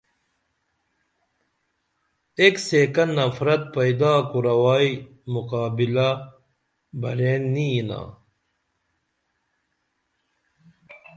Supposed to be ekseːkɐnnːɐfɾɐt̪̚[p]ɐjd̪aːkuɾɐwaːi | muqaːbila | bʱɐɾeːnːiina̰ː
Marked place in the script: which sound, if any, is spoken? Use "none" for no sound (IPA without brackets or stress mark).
p